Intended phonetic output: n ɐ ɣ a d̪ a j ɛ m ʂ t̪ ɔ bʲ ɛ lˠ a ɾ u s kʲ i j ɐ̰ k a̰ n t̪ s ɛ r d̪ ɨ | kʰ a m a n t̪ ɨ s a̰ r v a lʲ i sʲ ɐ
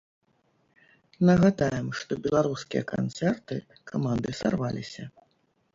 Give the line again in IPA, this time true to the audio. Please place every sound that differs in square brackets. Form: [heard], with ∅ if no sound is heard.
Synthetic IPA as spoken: n ɐ ɣ a d̪ a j ɛ m ʂ t̪ ɔ bʲ ɛ lˠ a ɾ u s kʲ i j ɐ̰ k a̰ n t̪ s ɛ r [t̪] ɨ | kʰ a m a n [d̪] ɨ s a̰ r v a lʲ i sʲ ɐ